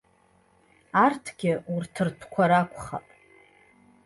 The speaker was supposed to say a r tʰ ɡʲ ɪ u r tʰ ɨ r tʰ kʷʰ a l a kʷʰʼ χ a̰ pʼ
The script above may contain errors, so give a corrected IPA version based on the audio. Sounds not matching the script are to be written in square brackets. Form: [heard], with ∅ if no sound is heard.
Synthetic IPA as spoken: a r tʰ ɡʲ ɪ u r tʰ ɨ r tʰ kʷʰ a [ɾ] a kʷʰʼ χ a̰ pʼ